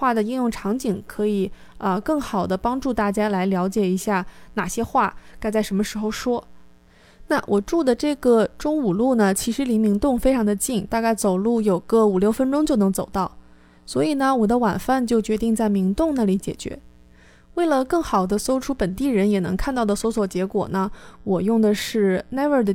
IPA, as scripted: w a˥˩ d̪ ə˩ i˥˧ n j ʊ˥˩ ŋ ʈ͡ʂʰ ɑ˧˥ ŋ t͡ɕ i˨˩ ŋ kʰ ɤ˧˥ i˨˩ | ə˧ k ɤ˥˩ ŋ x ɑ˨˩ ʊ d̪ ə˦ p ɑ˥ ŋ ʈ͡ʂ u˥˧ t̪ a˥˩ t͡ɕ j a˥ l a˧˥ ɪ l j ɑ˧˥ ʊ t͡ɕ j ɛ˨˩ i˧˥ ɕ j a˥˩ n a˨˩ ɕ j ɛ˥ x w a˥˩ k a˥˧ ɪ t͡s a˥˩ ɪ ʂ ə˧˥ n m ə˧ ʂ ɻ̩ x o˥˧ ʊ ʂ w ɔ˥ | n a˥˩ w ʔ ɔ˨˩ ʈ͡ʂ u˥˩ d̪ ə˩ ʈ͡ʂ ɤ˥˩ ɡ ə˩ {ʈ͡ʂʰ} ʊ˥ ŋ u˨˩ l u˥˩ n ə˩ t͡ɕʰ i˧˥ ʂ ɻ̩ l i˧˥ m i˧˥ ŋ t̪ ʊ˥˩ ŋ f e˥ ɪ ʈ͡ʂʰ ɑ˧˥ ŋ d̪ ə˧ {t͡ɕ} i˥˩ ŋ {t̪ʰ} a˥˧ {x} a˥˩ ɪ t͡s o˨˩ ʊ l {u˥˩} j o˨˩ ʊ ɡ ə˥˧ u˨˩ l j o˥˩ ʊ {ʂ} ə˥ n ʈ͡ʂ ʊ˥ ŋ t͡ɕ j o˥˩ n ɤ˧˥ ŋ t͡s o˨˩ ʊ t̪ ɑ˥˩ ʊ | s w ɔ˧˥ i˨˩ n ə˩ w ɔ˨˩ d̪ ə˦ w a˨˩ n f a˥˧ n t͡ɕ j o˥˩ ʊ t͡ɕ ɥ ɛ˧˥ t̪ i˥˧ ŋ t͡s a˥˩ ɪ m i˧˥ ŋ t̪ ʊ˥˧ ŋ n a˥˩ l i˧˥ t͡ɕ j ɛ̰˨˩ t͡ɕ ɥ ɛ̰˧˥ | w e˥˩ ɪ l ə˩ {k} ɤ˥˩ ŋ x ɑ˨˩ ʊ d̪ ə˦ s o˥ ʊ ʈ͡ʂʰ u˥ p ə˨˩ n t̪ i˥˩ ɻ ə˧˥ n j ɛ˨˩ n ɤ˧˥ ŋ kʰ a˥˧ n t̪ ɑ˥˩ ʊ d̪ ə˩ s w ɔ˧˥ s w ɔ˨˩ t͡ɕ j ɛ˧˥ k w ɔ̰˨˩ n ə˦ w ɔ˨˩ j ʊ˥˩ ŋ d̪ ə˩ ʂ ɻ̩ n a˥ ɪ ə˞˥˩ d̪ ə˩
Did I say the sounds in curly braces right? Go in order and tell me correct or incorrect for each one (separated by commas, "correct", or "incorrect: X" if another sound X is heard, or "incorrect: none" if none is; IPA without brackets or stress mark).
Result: incorrect: ʈ͡ʂ, correct, incorrect: t̪, incorrect: k, correct, incorrect: f, correct